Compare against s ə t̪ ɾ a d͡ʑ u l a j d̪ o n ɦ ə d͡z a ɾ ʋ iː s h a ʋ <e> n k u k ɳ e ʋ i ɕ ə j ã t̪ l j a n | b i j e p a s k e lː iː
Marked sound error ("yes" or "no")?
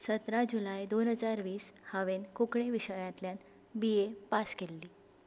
no